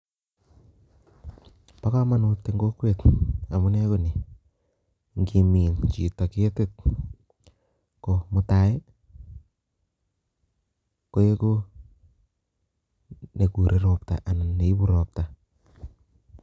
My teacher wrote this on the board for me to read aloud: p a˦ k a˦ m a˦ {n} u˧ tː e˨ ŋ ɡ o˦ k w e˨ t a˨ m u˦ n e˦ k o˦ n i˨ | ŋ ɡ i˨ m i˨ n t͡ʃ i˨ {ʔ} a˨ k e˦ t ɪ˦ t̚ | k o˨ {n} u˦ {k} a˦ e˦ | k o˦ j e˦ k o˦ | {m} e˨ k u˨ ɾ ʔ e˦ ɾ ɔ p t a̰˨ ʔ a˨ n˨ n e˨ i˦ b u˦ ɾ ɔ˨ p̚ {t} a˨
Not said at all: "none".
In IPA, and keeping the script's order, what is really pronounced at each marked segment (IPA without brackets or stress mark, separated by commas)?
n, t, m, t, n, t